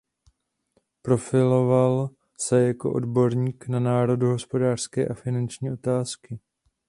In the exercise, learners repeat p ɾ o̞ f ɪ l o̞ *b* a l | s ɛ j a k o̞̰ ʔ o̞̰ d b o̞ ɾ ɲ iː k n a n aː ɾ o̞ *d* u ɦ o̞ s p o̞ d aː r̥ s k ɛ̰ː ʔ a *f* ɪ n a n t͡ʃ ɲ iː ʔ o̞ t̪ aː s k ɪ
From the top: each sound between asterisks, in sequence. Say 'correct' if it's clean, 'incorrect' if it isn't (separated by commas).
incorrect, correct, correct